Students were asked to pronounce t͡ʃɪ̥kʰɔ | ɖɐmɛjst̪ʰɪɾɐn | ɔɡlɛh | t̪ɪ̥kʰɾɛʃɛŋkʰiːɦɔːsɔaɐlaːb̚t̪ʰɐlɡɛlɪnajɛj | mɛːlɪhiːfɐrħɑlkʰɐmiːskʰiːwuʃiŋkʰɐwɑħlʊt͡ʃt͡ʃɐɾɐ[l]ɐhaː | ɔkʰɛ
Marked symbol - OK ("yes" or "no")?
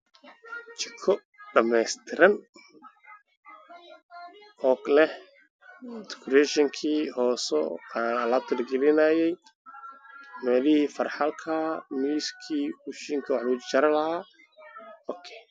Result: yes